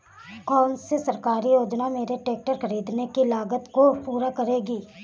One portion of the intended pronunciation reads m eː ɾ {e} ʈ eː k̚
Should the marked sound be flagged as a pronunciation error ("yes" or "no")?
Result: no